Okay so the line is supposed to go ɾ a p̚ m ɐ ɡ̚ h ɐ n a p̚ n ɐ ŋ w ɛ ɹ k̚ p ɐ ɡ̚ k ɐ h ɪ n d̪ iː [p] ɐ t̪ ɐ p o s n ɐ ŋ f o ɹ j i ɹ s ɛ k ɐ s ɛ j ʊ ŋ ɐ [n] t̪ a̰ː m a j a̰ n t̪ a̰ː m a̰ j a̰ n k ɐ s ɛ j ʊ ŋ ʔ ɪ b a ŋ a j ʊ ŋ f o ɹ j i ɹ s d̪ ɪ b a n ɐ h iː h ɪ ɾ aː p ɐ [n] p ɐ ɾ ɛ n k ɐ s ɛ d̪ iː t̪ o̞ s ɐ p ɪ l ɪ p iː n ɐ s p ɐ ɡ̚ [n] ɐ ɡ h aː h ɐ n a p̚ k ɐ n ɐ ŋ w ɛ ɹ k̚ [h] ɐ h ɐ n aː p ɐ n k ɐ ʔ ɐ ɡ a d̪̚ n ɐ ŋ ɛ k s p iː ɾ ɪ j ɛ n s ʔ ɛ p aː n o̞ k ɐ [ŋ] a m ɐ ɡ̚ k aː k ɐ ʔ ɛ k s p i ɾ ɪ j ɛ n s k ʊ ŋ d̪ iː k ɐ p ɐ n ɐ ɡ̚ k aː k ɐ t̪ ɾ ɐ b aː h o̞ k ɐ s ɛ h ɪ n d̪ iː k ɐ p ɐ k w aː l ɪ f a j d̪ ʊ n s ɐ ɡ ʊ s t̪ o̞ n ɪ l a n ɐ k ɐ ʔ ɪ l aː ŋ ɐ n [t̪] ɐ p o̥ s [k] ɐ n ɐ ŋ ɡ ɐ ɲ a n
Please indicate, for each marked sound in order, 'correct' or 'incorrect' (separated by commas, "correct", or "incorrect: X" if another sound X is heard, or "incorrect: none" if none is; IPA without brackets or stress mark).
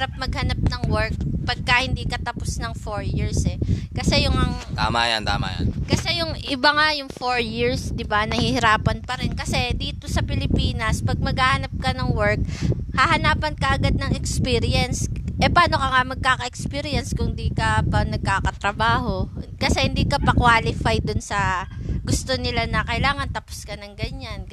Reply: incorrect: k, incorrect: ŋ, correct, incorrect: m, correct, correct, correct, correct